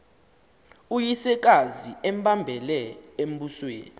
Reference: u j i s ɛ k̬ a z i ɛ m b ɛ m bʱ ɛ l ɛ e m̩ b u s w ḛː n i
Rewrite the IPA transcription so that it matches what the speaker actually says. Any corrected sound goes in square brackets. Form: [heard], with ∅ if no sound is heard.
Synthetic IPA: u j i s ɛ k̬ a z i ɛ m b [a] m bʱ ɛ l ɛ e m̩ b u s w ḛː n i